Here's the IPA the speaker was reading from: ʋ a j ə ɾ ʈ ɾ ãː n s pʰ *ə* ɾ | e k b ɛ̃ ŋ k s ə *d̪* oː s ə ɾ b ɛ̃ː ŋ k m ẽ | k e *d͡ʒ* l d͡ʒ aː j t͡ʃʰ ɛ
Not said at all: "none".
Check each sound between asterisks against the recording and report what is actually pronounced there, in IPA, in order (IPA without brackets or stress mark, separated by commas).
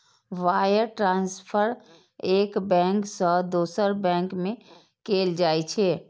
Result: ə, d̪, none